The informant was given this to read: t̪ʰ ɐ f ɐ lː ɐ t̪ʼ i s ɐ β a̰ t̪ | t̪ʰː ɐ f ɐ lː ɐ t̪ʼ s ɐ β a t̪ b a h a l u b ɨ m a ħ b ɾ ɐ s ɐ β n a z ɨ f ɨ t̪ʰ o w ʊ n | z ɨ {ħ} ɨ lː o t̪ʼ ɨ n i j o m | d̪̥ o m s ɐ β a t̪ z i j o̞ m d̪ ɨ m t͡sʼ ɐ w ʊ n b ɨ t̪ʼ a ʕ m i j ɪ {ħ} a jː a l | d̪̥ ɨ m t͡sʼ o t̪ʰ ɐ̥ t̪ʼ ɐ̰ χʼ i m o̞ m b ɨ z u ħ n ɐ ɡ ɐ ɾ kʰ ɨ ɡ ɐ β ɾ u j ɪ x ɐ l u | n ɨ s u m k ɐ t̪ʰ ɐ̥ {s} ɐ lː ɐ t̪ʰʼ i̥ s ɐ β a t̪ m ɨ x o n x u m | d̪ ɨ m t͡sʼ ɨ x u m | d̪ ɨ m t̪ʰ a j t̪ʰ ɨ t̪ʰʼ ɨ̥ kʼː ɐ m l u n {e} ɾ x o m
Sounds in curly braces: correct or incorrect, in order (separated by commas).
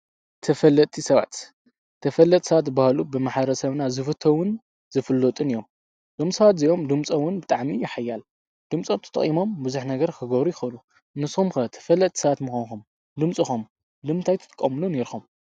incorrect, correct, incorrect, correct